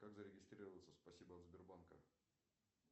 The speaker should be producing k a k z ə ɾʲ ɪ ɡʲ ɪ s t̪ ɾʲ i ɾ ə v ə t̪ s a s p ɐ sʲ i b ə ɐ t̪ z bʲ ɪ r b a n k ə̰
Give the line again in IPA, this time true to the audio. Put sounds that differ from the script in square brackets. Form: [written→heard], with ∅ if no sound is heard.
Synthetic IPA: k a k z ə ɾʲ ɪ ɡʲ ɪ s t̪ ɾʲ i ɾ ə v ə t̪ s [a→ə] s p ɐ sʲ i b ə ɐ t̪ z bʲ ɪ r b a n k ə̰